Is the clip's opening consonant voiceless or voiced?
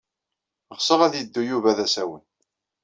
voiced